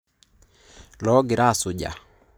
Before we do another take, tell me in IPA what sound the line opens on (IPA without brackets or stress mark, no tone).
l